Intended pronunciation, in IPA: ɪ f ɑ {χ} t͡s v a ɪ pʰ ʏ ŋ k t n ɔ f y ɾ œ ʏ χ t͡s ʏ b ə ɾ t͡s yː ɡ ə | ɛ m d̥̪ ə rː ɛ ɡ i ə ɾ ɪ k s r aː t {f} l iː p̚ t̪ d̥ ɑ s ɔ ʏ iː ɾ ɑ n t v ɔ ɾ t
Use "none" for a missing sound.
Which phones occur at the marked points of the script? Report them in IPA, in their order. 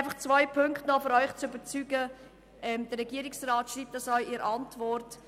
χ, ʃ

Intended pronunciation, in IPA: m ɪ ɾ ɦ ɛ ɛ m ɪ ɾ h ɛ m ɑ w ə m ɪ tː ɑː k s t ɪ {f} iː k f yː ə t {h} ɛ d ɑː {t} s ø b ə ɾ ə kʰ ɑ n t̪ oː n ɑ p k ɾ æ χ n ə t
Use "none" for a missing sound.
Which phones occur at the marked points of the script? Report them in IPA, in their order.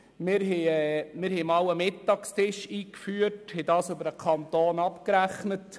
ʃ, h, none

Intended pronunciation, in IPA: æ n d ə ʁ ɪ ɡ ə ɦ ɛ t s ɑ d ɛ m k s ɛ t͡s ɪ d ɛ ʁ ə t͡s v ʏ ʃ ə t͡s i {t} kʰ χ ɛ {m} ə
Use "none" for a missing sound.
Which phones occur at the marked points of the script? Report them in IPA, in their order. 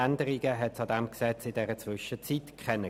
t, n

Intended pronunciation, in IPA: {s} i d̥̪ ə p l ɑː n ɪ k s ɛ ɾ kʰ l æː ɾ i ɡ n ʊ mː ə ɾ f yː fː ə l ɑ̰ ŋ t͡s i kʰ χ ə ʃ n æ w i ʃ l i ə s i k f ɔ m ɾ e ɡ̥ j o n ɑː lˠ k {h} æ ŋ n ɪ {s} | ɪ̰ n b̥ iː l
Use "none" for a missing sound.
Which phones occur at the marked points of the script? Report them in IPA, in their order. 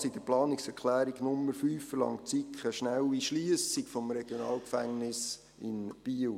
s, f, s

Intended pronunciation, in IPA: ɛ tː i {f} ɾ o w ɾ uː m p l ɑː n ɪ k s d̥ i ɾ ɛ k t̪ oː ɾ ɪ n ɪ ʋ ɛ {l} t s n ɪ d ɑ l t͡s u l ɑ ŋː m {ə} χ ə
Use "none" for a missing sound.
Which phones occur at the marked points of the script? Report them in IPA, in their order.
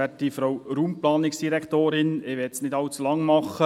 f, none, ɑ

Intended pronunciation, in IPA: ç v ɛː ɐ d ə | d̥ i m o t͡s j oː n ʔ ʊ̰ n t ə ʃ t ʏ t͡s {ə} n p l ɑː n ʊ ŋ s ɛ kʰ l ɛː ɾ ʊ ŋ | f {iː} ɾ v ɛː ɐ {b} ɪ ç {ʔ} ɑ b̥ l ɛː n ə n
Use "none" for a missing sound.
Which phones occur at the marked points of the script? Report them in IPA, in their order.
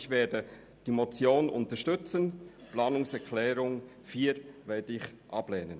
ə, iː, d, ʔ

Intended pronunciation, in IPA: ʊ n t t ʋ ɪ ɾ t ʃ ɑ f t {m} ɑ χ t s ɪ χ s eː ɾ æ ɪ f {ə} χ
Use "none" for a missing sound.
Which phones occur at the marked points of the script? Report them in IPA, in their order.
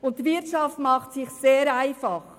m, ɑ

